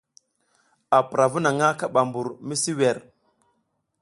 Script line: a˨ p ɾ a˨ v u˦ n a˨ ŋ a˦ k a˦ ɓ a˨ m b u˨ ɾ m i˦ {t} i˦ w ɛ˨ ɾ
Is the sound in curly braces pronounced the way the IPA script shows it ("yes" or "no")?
no